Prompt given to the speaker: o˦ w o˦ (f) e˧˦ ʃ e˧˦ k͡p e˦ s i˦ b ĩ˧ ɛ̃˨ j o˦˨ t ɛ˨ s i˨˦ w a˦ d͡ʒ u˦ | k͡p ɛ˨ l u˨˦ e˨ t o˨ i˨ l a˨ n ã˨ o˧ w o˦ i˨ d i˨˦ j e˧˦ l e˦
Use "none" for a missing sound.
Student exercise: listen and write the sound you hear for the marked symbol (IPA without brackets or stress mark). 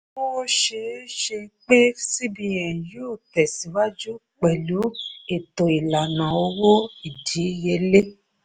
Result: ʃ